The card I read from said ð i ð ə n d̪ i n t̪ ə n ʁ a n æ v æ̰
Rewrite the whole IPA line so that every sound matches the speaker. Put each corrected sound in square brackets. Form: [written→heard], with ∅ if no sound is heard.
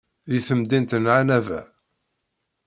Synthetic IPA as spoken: ð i [ð→θ] ə [n→m] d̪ i n t̪ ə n [ʁ→ʕ] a n æ v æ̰